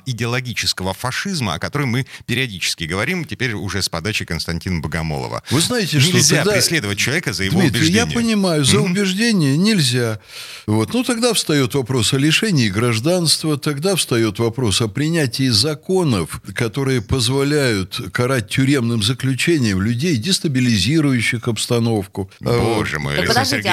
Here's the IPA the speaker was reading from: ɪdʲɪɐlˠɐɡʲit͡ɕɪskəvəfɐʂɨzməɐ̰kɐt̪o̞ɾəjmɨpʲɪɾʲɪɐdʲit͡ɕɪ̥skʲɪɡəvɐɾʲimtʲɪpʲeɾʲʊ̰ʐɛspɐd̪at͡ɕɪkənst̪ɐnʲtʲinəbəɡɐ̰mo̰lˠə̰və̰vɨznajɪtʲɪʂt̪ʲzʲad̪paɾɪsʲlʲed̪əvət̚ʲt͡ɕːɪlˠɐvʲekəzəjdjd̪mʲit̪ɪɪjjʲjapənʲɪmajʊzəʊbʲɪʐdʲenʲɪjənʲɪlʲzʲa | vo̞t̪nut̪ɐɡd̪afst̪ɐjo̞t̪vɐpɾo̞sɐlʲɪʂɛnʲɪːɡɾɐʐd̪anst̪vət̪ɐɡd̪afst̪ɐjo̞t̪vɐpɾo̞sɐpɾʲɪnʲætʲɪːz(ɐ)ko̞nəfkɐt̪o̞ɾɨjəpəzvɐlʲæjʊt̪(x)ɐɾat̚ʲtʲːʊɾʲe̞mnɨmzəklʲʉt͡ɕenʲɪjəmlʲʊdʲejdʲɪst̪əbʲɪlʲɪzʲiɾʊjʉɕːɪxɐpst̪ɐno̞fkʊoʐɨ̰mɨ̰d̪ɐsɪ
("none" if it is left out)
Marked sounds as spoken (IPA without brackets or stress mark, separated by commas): ɐ, k